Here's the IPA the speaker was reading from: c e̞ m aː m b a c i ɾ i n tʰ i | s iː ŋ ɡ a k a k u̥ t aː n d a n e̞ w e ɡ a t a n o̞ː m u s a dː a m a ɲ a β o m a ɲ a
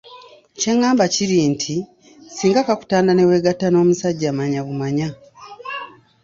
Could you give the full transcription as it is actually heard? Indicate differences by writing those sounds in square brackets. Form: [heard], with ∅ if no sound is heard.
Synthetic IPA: c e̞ [ŋ] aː m b a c i ɾ i n tʰ i | s iː ŋ ɡ a k a k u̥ t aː n d a n e̞ w e ɡ a t a n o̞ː m u s a [ɟː] a m a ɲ a β [u] m a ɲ a